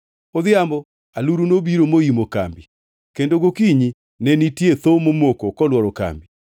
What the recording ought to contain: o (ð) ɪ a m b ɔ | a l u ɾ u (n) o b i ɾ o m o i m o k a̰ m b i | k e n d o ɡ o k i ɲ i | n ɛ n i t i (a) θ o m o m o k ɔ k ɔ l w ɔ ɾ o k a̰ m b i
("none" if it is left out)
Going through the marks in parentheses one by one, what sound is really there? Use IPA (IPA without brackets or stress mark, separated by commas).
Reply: ð, n, e